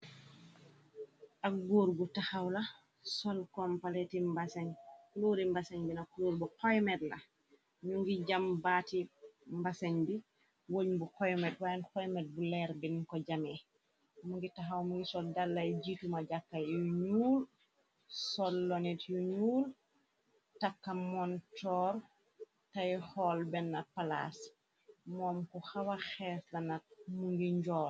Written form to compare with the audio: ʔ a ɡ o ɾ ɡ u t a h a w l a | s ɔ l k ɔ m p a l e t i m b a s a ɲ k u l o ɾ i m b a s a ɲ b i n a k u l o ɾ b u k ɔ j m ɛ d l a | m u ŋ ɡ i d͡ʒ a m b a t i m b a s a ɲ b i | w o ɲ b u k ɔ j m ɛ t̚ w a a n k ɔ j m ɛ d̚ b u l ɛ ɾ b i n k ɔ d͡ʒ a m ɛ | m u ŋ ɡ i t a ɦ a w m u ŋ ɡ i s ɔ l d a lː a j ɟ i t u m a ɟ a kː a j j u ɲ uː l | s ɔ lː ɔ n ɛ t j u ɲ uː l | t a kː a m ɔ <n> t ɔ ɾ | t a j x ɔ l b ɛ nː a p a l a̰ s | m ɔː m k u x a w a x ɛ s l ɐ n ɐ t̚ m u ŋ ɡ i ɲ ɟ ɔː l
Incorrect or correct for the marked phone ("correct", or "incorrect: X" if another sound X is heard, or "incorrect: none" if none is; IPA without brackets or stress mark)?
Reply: correct